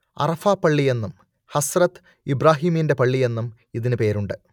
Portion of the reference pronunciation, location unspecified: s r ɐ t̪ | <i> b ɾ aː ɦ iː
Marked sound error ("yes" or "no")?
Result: no